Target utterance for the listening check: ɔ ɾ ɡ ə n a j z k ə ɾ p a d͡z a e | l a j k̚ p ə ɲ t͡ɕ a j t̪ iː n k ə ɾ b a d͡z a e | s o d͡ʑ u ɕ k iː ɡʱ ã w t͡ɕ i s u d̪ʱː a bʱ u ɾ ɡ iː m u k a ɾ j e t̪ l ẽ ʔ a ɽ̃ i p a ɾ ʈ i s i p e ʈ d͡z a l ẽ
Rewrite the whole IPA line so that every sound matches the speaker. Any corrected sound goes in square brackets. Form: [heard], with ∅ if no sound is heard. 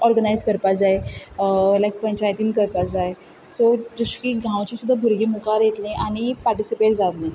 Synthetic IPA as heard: ɔ ɾ ɡ ə n a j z k ə ɾ p a d͡z a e | l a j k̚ p ə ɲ t͡ɕ a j t̪ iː n k ə ɾ [p] a d͡z a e | s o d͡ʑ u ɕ k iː ɡʱ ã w t͡ɕ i s u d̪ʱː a bʱ u ɾ ɡ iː m u k a ɾ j e t̪ l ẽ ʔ a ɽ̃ i p a ɾ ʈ i s i p e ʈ d͡z a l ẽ